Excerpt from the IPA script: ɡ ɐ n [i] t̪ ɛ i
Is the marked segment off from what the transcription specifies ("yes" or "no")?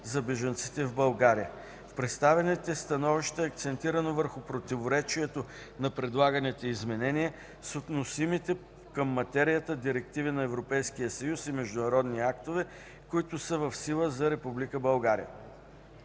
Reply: yes